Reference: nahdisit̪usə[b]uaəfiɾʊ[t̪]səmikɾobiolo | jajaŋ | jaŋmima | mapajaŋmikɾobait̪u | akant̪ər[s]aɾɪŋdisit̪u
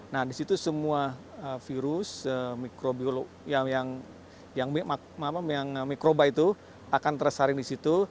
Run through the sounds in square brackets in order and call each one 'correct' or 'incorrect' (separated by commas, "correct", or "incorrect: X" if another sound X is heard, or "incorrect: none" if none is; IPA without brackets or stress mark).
incorrect: m, incorrect: none, correct